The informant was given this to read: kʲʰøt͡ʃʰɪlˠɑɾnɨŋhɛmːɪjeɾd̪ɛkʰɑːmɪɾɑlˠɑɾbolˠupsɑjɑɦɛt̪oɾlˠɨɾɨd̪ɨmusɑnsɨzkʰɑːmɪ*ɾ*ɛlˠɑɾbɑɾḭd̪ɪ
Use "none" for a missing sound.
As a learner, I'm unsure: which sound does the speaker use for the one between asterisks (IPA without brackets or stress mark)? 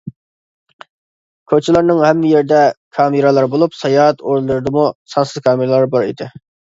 ɾ